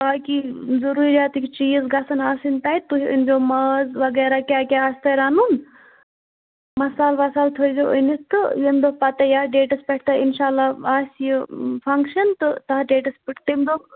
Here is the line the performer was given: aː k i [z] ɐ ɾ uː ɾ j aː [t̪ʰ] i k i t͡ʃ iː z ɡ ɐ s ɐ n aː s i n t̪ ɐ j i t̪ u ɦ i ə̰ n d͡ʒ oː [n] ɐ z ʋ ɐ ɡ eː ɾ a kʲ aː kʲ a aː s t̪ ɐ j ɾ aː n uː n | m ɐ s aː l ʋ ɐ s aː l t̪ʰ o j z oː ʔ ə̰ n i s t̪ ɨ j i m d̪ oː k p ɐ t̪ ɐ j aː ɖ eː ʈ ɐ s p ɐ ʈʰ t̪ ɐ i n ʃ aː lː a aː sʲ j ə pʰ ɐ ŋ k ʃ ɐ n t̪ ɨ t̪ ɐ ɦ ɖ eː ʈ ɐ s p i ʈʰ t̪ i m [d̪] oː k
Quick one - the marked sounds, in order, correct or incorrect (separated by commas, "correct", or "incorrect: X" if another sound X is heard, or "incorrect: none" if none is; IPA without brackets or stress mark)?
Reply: correct, incorrect: t̪, incorrect: m, correct